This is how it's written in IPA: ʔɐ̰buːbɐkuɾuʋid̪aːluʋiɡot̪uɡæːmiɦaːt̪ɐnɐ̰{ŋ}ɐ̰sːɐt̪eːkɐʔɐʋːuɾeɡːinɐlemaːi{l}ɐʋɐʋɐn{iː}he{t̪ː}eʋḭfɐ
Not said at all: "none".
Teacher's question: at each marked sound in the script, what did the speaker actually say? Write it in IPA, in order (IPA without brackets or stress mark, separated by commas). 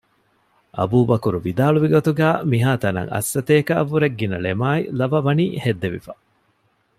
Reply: ŋ, l, iː, d̪ː